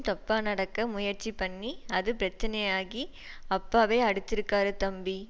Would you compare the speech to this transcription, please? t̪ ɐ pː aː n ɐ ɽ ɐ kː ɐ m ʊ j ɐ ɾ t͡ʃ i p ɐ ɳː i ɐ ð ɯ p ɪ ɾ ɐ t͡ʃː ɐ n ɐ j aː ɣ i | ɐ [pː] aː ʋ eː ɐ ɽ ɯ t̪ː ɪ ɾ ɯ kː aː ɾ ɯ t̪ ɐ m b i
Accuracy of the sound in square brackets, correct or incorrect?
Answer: correct